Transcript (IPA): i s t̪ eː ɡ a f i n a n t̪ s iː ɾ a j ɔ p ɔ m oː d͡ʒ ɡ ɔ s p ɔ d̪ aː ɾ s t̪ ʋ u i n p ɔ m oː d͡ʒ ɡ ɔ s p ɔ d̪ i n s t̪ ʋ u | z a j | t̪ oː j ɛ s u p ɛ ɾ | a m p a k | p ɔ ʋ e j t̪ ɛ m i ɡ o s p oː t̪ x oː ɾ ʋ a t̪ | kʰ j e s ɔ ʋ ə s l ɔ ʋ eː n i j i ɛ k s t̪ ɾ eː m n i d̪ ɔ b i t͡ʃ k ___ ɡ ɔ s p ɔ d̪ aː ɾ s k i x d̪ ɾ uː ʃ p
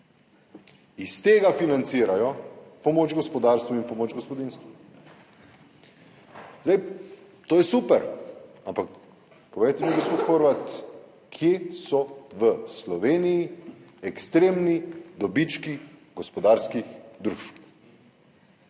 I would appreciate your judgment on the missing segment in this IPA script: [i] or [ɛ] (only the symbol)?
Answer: i